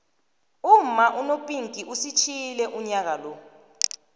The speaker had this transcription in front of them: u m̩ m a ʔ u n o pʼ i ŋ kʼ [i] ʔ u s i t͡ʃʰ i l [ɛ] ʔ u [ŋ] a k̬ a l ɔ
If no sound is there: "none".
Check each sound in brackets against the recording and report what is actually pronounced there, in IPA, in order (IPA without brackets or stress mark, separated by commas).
i, ɛ, ɲ